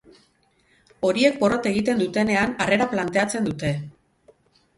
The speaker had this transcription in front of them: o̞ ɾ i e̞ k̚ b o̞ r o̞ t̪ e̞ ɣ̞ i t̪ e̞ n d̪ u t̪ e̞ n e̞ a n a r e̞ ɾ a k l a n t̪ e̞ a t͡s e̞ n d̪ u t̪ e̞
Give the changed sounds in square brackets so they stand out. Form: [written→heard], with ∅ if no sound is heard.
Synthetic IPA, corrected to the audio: o̞ ɾ i e̞ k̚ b o̞ r o̞ t̪ e̞ ɣ̞ i t̪ e̞ n d̪ u t̪ e̞ n e̞ a n a r e̞ ɾ a [k→p] l a n t̪ e̞ a t͡s e̞ n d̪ u t̪ e̞